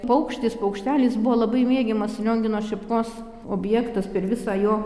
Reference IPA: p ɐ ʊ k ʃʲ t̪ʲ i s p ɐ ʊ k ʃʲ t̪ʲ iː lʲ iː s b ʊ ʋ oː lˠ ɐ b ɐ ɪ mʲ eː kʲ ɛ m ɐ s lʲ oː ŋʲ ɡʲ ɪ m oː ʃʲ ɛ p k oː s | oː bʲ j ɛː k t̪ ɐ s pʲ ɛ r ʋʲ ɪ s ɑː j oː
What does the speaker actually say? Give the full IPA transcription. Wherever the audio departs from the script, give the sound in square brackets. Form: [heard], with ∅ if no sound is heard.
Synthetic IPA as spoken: p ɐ ʊ k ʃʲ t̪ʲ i s p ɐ ʊ k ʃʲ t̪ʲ [æː] lʲ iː s b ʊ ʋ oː lˠ ɐ b ɐ ɪ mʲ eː [ɡʲ] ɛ m ɐ s lʲ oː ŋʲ ɡʲ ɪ [n] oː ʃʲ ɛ p k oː s | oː bʲ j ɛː k t̪ ɐ s pʲ ɛ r ʋʲ ɪ s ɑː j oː